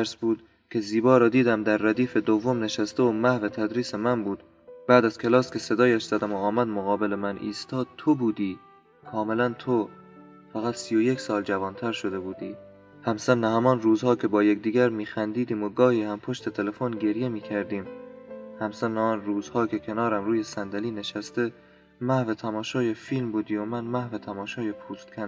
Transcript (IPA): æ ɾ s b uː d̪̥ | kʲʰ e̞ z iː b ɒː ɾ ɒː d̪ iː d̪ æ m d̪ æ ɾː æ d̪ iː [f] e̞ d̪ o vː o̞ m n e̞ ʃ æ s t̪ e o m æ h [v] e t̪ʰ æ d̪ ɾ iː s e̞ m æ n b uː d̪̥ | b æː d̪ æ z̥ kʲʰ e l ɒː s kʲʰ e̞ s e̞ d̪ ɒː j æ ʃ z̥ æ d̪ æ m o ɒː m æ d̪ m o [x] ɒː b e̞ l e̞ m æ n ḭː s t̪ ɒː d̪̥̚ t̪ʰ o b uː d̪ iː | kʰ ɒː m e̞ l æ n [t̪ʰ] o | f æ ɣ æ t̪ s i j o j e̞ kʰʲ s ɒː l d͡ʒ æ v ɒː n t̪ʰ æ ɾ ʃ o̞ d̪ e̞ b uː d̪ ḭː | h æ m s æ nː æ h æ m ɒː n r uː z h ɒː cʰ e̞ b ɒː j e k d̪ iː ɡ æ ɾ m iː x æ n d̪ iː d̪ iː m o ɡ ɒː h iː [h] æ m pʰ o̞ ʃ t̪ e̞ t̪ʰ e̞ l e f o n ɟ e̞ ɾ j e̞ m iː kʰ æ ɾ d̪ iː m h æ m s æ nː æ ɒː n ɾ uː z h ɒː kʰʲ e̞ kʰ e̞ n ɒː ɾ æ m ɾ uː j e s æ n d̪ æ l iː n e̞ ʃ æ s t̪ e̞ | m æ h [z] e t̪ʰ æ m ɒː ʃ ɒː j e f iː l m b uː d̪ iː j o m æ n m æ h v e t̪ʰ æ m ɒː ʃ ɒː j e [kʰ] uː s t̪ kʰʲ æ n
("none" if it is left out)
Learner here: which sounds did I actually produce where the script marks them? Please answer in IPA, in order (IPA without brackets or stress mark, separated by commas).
f, v, ɣ, t̪ʰ, h, v, pʰ